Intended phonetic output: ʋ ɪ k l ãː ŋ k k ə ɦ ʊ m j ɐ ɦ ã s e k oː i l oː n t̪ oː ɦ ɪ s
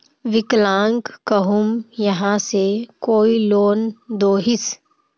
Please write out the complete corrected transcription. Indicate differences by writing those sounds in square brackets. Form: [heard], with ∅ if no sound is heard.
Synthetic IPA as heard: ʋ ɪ k l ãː ŋ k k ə ɦ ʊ m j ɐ ɦ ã s e k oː i l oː n [d̪] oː ɦ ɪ s

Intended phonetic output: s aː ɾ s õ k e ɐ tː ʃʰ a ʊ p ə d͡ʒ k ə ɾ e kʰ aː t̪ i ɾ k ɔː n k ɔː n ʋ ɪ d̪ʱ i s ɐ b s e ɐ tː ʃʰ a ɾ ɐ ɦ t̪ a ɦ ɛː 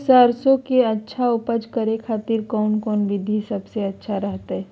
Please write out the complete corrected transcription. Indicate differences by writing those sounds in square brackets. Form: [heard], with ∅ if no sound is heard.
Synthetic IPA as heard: s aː ɾ s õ k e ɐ tː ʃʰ a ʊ p ə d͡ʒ k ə ɾ e kʰ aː t̪ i ɾ k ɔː n k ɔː n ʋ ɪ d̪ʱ i s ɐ b s e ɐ tː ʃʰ a ɾ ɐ ɦ t̪ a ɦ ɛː

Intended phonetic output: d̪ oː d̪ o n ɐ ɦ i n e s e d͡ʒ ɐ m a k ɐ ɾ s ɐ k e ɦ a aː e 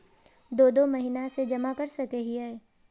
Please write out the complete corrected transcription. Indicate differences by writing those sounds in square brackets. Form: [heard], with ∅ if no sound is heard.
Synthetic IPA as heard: d̪ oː d̪ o [m] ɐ ɦ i n [a] s e d͡ʒ ɐ m a k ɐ ɾ s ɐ k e ɦ [i] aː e

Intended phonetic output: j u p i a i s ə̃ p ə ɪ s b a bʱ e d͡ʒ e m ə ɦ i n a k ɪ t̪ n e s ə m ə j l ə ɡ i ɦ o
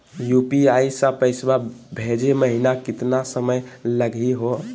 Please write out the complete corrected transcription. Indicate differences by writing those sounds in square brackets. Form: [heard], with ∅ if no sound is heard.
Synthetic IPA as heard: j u p i a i s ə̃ p ə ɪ s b a bʱ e d͡ʒ e m ə ɦ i n a k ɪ t̪ n [a] s ə m ə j l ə ɡ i ɦ o

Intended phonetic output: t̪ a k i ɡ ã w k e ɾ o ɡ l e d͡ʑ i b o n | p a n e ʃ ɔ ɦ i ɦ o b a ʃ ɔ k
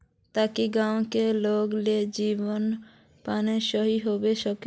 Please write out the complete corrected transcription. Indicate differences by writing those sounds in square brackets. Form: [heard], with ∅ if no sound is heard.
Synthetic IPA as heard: t̪ a k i ɡ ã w k e [l] o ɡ l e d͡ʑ i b o n | p a n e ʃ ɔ ɦ i ɦ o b [e] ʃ ɔ k

